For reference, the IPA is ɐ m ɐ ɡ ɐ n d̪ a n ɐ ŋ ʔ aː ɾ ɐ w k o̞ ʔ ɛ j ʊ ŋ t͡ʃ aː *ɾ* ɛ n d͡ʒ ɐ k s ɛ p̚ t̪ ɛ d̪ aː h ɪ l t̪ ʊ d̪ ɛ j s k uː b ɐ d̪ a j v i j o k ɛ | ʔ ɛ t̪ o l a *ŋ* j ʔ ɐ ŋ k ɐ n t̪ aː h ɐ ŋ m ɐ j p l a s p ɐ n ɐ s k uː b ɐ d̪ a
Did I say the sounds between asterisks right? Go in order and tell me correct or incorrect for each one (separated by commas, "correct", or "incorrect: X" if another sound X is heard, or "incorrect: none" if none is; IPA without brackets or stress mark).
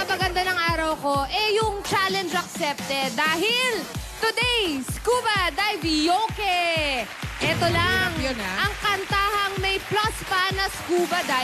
incorrect: l, correct